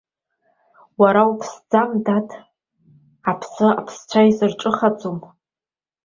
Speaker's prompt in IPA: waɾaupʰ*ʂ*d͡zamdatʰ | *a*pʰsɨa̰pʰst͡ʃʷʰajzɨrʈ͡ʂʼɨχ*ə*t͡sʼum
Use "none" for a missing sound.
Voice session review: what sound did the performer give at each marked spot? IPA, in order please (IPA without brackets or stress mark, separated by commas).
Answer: s, a, a